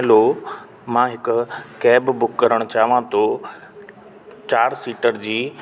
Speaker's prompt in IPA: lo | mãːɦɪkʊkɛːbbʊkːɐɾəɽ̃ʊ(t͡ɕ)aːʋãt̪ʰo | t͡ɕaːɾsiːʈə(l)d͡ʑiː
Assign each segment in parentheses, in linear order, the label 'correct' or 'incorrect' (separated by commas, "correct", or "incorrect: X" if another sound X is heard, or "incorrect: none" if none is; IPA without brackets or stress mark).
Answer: correct, incorrect: ɾ